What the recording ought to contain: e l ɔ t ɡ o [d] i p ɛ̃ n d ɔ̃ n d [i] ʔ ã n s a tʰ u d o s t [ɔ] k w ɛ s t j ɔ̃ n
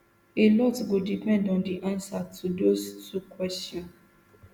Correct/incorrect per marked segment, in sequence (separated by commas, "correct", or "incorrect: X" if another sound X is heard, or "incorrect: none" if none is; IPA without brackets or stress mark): correct, correct, incorrect: u